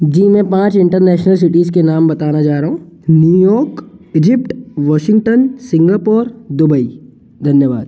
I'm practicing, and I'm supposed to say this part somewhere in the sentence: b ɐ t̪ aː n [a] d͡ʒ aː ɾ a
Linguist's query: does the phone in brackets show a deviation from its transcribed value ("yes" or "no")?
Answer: no